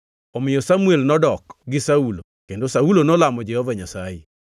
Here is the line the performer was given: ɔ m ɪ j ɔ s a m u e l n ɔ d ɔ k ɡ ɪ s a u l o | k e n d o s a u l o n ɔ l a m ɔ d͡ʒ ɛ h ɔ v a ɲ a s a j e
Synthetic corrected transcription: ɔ m ɪ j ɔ s a m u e l n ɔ d ɔ k ɡ ɪ s a u l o | k e n d o s a u l o n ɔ l a m ɔ d͡ʒ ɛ h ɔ v a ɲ a s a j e